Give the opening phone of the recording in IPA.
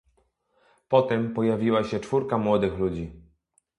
p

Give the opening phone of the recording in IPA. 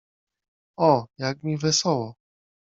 ɔ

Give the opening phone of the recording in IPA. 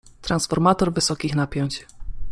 t̪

